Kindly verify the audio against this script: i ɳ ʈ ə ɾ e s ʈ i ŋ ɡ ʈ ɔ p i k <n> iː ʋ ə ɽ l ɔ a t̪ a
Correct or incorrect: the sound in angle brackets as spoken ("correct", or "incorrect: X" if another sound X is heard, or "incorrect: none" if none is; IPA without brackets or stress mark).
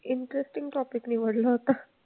correct